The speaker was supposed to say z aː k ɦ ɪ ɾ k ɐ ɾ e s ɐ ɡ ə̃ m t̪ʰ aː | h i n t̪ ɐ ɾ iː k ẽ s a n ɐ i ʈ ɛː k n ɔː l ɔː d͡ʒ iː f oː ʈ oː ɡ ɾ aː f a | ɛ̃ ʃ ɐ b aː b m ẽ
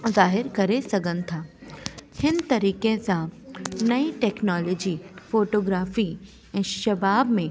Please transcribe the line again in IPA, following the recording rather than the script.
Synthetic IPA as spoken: z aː ɦ ɪ ɾ k ɐ ɾ e s ɐ ɡ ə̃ n t̪ʰ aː | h ɪ n t̪ ɐ ɾ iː k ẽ s a n ɐ i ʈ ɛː k n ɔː l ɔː d͡ʒ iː f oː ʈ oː ɡ ɾ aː f i | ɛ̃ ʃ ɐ b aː b m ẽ